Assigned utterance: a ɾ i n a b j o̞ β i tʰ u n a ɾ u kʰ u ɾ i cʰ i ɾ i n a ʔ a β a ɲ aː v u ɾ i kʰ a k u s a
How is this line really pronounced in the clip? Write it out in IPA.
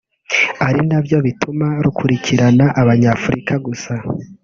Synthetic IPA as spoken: a ɾ i n a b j o̞ β i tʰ u m a ɾ u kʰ u ɾ i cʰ i ɾ a n a ʔ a β a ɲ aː f u ɾ i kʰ a ɡ u s a